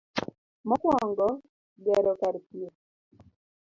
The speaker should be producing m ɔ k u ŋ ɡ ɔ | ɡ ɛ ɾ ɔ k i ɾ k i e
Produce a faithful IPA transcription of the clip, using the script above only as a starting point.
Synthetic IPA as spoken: m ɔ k ɔ ŋ ɡ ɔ | ɡ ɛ ɾ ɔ k a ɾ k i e